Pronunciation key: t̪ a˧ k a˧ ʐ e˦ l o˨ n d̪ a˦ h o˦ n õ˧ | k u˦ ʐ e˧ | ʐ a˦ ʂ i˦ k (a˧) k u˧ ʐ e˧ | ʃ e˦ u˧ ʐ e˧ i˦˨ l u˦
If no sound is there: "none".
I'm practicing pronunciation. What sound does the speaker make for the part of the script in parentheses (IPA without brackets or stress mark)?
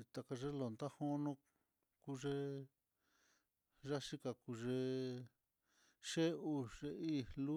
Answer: a˧